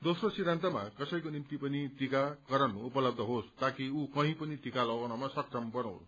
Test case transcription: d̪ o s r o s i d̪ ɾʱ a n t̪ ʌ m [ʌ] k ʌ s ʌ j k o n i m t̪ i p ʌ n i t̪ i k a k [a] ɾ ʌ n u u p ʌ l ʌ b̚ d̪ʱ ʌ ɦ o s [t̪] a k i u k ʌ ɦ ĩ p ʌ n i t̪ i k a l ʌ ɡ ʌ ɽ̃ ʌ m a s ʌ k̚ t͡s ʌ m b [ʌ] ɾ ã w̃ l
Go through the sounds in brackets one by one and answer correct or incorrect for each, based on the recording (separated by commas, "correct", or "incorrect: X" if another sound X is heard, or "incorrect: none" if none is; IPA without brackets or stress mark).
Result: incorrect: a, incorrect: ʌ, correct, correct